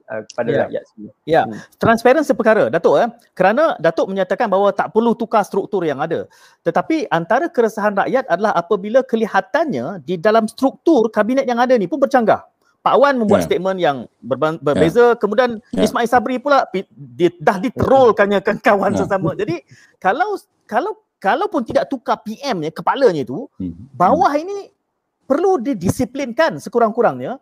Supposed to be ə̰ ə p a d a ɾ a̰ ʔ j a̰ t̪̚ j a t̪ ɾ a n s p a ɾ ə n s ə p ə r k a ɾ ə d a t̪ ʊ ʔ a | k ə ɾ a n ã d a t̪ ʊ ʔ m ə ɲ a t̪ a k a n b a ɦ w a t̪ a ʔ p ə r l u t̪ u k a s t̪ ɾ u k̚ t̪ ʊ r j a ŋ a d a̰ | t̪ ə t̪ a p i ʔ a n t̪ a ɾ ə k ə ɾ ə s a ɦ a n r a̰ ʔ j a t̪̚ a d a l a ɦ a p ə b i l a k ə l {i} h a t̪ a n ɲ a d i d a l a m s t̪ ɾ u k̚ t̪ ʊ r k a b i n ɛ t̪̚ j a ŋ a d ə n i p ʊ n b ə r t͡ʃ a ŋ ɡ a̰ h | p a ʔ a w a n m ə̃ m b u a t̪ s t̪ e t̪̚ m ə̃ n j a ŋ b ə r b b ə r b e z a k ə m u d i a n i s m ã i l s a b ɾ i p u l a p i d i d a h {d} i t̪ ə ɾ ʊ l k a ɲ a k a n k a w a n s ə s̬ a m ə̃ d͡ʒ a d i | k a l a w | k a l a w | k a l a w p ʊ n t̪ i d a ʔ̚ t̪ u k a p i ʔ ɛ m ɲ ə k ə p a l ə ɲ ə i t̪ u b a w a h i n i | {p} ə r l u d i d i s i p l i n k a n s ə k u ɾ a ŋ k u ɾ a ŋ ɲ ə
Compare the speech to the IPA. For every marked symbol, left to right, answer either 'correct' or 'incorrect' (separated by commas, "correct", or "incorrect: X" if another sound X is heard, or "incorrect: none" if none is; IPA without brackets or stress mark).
correct, correct, correct